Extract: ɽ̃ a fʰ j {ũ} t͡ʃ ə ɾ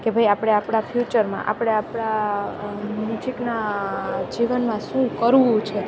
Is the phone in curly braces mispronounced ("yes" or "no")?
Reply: yes